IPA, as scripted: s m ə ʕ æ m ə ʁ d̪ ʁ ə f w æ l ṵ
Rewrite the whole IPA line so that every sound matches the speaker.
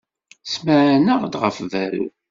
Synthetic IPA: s m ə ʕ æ n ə ʁ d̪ ʁ ə f v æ ɾ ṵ